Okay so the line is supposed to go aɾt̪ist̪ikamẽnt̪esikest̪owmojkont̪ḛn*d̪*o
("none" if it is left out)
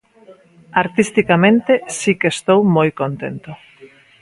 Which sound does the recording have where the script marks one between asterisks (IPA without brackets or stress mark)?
t̪